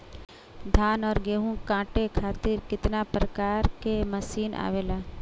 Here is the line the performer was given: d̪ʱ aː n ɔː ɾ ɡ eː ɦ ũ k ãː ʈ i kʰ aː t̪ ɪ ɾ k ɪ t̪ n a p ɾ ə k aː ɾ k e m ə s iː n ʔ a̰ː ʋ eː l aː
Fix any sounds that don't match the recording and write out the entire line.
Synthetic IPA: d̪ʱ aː n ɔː ɾ ɡ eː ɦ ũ k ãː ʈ e kʰ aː t̪ ɪ ɾ k ɪ t̪ n a p ɾ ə k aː ɾ k e m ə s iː n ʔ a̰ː ʋ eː l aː